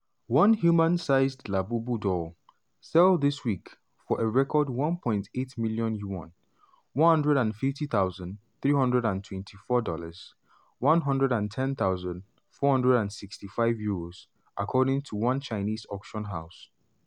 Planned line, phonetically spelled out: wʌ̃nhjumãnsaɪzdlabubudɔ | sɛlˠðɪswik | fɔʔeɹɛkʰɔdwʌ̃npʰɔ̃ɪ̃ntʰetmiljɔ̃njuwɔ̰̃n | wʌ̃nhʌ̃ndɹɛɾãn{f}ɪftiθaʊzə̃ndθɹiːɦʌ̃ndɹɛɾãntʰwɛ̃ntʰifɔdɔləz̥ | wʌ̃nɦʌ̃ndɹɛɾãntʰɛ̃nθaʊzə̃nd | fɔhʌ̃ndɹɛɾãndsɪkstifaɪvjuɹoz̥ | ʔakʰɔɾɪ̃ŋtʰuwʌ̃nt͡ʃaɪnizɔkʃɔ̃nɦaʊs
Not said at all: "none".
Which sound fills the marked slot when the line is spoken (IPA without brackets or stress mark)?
f